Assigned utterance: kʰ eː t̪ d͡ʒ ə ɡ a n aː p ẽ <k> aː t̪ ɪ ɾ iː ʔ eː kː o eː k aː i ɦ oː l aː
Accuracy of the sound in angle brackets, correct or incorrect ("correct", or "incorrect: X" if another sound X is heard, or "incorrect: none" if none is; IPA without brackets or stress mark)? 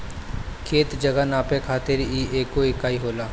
incorrect: kʰ